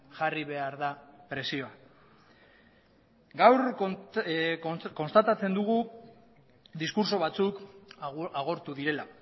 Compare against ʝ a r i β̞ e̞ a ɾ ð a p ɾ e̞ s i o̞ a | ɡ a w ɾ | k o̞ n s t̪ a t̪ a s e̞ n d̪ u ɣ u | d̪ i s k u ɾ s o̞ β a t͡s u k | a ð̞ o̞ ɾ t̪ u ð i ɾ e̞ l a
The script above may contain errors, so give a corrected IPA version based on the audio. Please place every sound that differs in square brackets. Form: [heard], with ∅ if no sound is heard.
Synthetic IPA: ʝ a r i β̞ e̞ a ɾ ð a p ɾ e̞ s i o̞ a | ɡ a w ɾ | k o̞ n s t̪ a t̪ a [t͡s] e̞ n d̪ u ɣ u | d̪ i s k u ɾ s o̞ β a t͡s u k | a [ɣ̞] o̞ ɾ t̪ u ð i ɾ e̞ l a